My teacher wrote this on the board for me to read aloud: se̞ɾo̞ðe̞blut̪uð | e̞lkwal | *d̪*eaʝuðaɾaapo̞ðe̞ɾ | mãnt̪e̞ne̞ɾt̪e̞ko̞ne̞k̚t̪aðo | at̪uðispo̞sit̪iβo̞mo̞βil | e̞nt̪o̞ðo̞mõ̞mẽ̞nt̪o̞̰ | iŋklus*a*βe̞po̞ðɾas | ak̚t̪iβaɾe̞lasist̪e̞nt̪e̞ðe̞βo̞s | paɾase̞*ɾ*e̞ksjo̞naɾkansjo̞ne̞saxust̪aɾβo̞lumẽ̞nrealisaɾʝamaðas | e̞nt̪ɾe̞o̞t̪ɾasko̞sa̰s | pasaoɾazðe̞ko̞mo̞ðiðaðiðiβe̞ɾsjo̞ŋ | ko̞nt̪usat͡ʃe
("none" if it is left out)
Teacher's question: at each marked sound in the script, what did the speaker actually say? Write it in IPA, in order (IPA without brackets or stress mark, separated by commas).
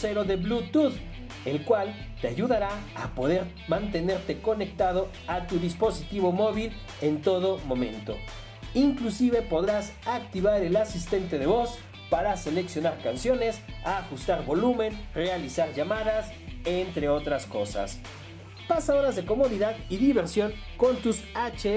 t̪, i, l